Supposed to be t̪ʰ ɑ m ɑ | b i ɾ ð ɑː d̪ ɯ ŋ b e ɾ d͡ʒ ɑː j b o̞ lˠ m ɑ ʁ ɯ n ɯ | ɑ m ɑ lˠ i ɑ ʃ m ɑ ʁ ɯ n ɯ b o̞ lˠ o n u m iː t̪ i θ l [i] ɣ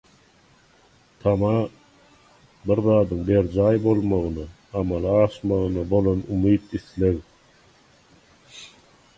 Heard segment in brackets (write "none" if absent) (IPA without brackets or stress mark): e